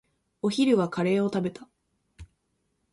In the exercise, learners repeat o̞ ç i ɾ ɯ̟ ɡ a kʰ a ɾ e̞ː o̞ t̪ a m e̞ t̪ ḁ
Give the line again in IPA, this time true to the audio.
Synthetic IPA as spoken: o̞ ç i ɾ ɯ̟ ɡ a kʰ a ɾ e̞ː o̞ t̪ a b e̞ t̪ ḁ